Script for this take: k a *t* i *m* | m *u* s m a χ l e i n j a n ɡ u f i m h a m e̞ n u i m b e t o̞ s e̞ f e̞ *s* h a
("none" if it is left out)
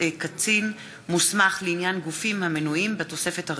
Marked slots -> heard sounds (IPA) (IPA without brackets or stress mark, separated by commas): t͡s, n, u, t